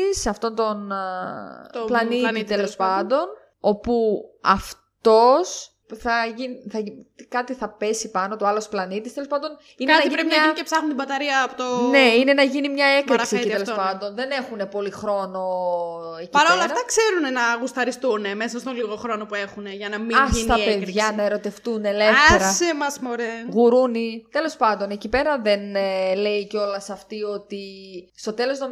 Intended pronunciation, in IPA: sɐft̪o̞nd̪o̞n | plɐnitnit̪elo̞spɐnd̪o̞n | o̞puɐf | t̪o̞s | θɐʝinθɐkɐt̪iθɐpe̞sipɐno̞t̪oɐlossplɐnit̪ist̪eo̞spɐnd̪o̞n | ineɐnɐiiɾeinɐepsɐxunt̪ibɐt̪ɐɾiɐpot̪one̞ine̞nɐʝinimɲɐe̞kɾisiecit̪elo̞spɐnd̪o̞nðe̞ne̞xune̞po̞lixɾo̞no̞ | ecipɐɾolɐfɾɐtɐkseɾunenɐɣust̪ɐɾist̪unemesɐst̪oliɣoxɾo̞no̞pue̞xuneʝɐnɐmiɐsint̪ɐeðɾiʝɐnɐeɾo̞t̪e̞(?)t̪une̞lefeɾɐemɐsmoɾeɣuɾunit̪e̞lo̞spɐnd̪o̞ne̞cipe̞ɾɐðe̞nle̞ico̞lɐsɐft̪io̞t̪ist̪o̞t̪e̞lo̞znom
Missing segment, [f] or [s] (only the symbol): f